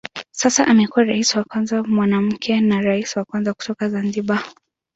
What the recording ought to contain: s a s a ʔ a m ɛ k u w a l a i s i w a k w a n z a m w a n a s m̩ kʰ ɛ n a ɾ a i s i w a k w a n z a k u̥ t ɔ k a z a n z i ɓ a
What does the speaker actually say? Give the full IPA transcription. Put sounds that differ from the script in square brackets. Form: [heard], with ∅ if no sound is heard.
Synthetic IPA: s a s a ʔ a m ɛ k u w a [ɾ] a i s i w a k w a n z a m w a n a [∅] m̩ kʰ ɛ n a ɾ a i s i w a k w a n z a k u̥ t ɔ k a z a n z i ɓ a